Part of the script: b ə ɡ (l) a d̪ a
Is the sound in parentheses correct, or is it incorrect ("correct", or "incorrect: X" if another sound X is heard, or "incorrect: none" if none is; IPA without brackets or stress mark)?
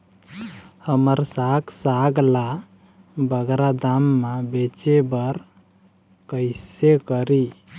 incorrect: ɾ